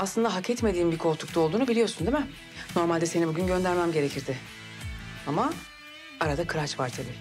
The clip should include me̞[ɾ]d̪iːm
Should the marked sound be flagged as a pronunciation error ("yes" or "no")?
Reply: yes